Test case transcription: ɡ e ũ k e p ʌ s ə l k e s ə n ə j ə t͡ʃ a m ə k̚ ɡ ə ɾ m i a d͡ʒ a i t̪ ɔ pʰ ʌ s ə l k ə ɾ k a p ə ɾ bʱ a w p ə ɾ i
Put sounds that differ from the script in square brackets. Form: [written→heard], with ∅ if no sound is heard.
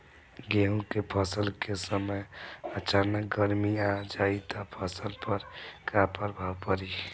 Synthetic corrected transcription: ɡ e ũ k e [p→pʰ] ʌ s ə l k e s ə [n→m] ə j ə t͡ʃ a [m→n] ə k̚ ɡ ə ɾ m i a d͡ʒ a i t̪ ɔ pʰ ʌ s ə l [k→p] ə ɾ k a p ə ɾ bʱ a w p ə ɾ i